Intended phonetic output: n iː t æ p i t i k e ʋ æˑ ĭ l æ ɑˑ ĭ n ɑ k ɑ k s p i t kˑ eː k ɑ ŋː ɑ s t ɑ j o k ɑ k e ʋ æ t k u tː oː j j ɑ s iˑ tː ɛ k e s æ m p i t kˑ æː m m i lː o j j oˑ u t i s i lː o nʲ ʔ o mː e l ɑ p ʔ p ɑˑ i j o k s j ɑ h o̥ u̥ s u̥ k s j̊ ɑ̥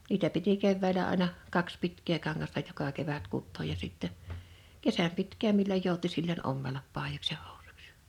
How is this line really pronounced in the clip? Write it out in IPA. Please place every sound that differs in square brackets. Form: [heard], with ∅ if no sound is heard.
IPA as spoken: n iː t æ p i t i k e [ʋː] æˑ ĭ l æ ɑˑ ĭ n ɑ k ɑ k s p i t kˑ eː k ɑ ŋː ɑ s t ɑ j o k ɑ k e ʋ æ t k u tː oː j j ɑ s iˑ tː ɛ k e s æ m p i t kˑ æː m m i lː o j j oˑ u t i s i lː o nʲ ʔ o mː e l ɑ p ʔ p ɑˑ i j o k s j ɑ h o̥ u̥ s u̥ k s j̊ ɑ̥